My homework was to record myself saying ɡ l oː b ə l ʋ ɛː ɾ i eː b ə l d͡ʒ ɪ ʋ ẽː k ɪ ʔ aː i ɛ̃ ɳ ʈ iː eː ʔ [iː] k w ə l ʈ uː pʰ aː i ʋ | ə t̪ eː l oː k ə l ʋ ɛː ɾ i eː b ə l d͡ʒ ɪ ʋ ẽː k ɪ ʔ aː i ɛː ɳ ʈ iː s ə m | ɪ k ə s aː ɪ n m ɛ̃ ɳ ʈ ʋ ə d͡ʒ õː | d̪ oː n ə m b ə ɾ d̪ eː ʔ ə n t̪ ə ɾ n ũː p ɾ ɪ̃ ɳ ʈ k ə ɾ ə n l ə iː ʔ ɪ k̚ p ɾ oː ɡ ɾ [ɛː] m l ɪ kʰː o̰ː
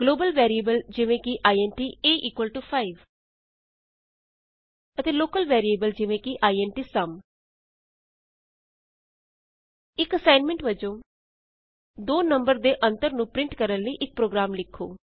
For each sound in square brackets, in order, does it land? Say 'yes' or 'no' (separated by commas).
yes, no